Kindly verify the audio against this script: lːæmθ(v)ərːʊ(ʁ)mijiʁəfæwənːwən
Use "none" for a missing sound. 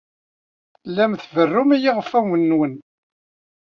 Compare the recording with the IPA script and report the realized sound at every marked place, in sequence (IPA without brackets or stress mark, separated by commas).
v, none